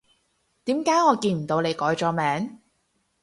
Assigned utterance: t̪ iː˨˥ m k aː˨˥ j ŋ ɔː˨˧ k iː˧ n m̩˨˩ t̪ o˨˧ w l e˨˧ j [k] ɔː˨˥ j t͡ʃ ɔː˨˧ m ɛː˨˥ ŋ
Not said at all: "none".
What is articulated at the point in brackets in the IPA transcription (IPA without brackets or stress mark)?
k